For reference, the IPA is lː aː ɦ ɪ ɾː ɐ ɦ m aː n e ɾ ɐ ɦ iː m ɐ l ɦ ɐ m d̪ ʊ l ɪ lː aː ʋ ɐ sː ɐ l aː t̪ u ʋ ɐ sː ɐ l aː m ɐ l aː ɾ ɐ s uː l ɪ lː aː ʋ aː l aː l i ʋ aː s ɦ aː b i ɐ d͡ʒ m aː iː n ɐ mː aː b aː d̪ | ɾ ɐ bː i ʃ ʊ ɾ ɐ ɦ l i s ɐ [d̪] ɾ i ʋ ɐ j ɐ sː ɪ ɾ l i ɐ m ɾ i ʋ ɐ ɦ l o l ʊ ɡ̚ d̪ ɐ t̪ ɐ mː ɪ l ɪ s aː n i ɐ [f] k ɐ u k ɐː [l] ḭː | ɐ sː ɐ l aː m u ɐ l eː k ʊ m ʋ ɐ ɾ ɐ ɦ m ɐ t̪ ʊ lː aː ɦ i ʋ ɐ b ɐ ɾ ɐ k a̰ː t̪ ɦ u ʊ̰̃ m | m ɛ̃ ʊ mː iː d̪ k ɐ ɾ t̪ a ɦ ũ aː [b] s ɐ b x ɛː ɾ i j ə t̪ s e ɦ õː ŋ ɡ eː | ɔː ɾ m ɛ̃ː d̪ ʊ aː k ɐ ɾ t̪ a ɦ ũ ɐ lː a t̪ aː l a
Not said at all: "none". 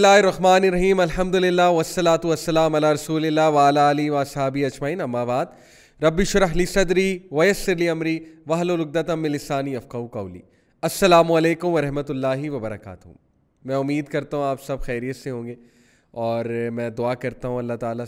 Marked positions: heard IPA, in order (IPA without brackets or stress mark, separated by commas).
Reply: d̪, f, l, p